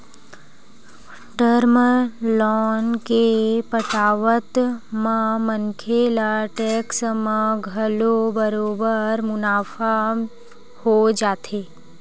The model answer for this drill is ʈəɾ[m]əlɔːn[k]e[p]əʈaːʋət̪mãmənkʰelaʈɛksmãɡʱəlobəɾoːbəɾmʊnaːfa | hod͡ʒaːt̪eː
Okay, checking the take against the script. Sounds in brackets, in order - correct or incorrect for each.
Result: correct, correct, correct

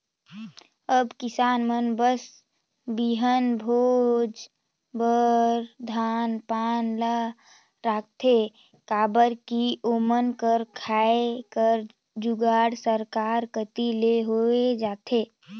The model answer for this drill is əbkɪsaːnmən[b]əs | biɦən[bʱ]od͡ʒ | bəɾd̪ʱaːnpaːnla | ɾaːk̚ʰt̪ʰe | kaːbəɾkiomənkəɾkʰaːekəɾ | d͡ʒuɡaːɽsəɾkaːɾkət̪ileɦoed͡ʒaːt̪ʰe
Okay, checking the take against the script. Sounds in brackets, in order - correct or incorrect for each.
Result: correct, correct

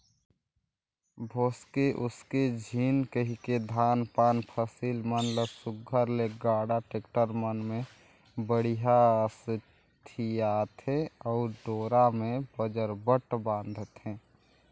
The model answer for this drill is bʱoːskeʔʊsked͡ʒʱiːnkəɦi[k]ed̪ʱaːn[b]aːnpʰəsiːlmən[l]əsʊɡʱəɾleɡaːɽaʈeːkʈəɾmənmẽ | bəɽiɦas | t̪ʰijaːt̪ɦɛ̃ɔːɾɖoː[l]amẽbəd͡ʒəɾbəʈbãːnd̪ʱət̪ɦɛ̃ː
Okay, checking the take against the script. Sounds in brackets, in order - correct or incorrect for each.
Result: correct, incorrect: p, correct, incorrect: ɾ

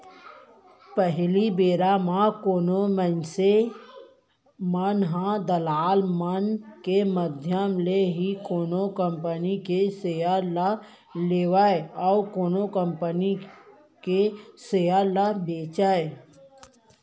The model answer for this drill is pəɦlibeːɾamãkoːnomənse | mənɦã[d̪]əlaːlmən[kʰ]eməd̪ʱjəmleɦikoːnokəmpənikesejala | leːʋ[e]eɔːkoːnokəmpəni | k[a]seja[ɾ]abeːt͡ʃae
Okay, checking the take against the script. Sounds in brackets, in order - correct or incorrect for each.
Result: correct, incorrect: k, incorrect: a, incorrect: e, incorrect: l

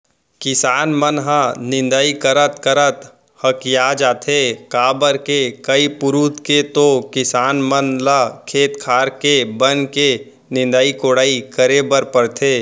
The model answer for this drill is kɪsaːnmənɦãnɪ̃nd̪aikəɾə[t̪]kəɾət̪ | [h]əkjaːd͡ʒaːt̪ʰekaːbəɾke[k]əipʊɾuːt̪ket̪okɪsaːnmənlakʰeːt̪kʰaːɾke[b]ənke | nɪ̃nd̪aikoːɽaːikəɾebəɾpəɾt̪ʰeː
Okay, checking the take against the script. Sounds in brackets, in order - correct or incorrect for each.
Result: correct, correct, correct, correct

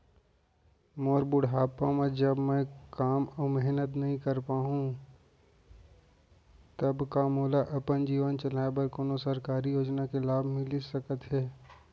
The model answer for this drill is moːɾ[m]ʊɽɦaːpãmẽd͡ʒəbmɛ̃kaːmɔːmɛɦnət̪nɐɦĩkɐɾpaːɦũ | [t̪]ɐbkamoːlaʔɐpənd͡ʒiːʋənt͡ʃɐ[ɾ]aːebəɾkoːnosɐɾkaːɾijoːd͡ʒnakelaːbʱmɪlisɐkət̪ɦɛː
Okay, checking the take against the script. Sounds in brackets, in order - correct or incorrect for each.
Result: incorrect: b, correct, incorrect: l

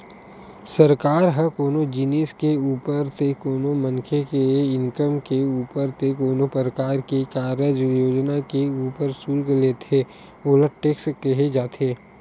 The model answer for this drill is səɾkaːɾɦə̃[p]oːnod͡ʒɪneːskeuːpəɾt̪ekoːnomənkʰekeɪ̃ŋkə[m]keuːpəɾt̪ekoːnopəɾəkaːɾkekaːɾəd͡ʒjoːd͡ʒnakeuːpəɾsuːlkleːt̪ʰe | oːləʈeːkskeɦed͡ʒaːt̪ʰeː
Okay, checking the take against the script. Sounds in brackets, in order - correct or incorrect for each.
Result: incorrect: k, correct

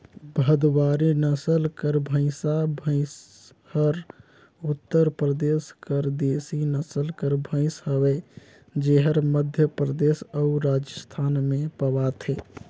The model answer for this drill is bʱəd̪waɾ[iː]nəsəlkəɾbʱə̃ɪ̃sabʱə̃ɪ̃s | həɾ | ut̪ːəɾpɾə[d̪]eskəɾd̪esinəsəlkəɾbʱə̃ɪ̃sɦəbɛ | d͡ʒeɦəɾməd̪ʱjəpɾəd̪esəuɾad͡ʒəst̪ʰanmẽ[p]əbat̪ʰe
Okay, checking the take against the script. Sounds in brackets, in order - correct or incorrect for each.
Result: incorrect: i, correct, correct

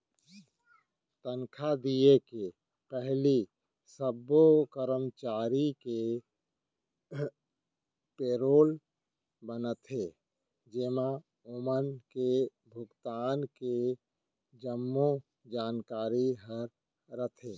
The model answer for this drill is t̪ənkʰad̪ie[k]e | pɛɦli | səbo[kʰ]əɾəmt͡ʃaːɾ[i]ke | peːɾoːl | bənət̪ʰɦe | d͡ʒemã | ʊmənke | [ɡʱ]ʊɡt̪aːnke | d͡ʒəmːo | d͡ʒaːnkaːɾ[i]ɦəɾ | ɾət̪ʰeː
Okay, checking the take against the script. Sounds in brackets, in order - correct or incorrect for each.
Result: correct, incorrect: k, correct, incorrect: bʱ, correct

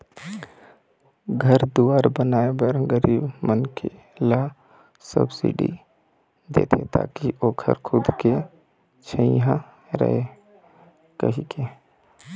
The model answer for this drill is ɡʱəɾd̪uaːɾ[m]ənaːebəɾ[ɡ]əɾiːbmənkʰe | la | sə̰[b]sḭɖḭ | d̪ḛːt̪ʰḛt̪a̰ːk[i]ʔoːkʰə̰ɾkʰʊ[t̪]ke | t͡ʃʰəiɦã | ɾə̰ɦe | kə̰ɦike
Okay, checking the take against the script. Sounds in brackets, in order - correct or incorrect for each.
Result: incorrect: b, correct, correct, correct, incorrect: d̪

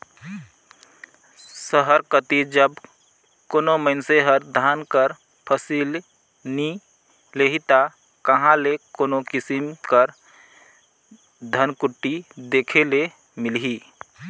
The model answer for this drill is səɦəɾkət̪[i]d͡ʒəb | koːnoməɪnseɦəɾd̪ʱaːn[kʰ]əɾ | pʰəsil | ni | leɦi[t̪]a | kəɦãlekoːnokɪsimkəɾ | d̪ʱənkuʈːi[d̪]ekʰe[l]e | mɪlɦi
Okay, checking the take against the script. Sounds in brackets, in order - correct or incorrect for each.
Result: correct, incorrect: k, correct, correct, correct

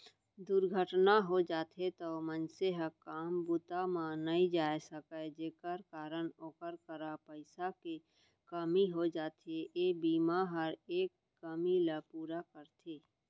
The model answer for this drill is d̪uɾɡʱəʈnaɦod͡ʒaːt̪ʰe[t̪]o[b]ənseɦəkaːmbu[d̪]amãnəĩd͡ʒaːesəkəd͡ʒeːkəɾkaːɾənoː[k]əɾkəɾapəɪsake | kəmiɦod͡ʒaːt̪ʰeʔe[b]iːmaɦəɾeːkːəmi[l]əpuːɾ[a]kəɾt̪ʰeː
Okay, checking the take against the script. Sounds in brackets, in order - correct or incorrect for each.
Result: correct, incorrect: m, incorrect: t̪, correct, correct, correct, correct

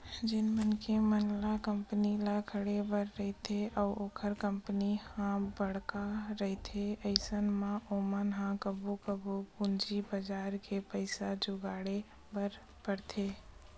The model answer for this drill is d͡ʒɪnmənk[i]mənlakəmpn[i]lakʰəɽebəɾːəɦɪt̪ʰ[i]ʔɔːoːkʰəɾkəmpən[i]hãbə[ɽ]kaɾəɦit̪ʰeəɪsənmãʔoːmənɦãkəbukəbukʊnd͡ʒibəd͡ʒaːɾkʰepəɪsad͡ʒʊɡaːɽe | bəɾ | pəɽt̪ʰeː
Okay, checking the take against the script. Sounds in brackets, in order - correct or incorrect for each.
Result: incorrect: e, correct, incorrect: e, correct, correct

